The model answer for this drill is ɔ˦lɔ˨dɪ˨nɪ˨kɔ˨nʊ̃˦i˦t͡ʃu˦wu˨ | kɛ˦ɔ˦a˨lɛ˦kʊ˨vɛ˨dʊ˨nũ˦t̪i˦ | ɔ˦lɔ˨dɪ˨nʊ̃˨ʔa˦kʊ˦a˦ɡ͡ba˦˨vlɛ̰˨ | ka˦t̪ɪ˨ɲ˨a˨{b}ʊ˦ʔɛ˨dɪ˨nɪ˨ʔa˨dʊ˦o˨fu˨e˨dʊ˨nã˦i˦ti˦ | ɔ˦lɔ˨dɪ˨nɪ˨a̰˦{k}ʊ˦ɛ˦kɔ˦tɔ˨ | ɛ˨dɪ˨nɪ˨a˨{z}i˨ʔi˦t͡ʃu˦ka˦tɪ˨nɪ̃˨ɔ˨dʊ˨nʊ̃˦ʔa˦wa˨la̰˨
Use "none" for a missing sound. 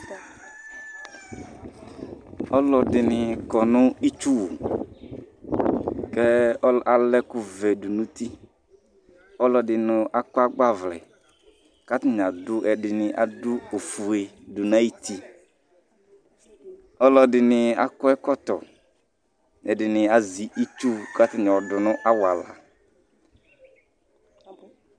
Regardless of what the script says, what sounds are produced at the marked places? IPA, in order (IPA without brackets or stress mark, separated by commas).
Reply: d, k, z